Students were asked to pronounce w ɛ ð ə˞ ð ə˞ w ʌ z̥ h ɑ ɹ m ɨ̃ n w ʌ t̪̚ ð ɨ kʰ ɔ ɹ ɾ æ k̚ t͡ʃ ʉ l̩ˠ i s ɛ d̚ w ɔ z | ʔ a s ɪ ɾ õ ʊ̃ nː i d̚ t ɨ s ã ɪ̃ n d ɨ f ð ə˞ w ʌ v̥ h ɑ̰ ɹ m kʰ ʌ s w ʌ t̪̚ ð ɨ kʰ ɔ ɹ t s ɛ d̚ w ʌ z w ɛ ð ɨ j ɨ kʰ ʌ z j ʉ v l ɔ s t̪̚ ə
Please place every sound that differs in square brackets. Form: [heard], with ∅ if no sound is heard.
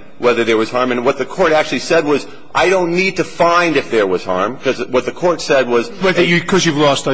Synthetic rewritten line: w ɛ ð ə˞ ð ə˞ w ʌ z̥ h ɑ ɹ m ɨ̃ n w ʌ t̪̚ ð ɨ kʰ ɔ ɹ ɾ æ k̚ t͡ʃ ʉ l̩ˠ i s ɛ d̚ w [ʌ] z | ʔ a [∅] ɪ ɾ õ ʊ̃ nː i d̚ t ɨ [f] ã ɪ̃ n d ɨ f ð ə˞ w ʌ [z̥] h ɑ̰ ɹ m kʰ ʌ [z] w ʌ t̪̚ ð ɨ kʰ ɔ ɹ t s ɛ d̚ w ʌ z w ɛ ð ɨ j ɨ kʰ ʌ z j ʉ v l ɔ s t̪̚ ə